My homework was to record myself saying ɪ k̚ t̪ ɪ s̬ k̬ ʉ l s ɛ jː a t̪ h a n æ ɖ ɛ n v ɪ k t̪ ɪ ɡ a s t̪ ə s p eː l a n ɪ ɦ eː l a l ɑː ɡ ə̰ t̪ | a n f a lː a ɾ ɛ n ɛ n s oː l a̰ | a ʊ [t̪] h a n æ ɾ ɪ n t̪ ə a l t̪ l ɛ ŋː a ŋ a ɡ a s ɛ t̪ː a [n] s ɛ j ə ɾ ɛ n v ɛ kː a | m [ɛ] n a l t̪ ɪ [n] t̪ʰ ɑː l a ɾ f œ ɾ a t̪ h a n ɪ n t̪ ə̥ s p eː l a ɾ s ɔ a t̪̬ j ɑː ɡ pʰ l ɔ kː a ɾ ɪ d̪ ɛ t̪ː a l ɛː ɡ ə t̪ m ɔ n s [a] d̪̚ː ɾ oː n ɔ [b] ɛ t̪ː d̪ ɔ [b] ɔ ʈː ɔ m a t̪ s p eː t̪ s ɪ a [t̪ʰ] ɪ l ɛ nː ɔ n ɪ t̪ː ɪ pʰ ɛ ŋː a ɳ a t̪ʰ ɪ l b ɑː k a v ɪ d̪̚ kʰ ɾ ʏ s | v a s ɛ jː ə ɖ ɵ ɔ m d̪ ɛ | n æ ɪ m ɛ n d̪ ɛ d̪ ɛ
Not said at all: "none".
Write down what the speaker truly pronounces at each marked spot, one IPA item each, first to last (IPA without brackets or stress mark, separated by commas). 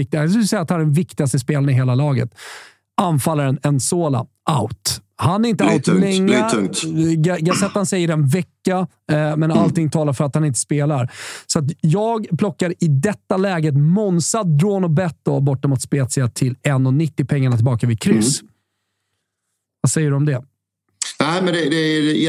t̪, n, ɛ, ŋ, a, b, b, t̪ʰ